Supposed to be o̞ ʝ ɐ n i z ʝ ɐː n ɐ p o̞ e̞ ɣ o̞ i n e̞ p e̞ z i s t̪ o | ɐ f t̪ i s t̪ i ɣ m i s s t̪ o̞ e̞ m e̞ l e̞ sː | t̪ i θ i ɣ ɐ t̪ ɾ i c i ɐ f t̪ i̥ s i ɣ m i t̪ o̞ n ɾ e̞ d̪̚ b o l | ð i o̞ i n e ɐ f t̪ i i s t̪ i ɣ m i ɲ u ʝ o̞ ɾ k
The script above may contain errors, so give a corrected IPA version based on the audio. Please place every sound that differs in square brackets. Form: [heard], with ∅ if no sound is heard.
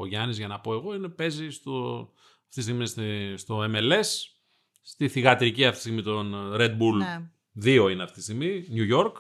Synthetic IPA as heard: o̞ ʝ ɐ n i z ʝ [ɐ] n ɐ p o̞ e̞ ɣ o̞ i n e̞ p e̞ z i s t̪ o | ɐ f t̪ i s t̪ i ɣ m i s s t̪ o̞ e̞ m e̞ l e̞ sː | t̪ i θ i ɣ ɐ t̪ ɾ i c i ɐ f t̪ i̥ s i ɣ m i t̪ o̞ n ɾ e̞ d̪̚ b [u] l | ð i o̞ i n e ɐ f t̪ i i s t̪ i ɣ m i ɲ u ʝ o̞ ɾ k